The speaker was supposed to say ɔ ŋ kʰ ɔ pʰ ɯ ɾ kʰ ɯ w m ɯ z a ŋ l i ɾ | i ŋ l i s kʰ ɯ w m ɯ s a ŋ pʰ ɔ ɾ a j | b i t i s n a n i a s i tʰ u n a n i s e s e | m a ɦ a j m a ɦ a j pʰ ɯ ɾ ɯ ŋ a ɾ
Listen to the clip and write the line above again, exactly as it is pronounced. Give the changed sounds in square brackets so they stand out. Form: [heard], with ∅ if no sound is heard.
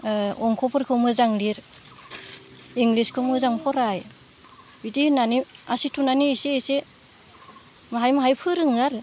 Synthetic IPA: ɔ ŋ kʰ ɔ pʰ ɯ ɾ kʰ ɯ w m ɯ z a ŋ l i ɾ | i ŋ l i s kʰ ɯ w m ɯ [z] a ŋ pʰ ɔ ɾ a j | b i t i [∅] n a n i a s i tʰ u n a n i s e s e | m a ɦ a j m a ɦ a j pʰ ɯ ɾ ɯ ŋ a ɾ